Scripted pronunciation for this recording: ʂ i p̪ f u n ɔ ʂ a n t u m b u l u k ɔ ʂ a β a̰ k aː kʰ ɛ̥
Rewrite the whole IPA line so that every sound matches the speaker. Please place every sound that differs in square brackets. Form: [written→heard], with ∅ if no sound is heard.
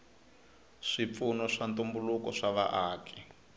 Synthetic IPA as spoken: ʂ i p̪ f u n ɔ ʂ a n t u m b u l u k ɔ ʂ a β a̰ [k→ʔ] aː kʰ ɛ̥